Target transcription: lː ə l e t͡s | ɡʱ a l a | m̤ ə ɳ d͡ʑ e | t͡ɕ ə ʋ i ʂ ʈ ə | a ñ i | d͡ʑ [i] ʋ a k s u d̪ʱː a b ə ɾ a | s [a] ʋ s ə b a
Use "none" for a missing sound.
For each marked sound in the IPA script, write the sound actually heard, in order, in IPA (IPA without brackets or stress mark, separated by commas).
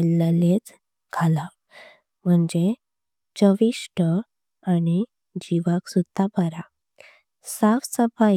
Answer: i, a